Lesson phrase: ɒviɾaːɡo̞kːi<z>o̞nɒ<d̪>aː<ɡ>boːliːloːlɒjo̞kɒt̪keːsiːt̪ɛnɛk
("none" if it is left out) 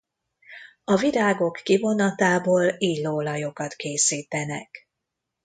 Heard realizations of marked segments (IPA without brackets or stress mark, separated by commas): v, t̪, none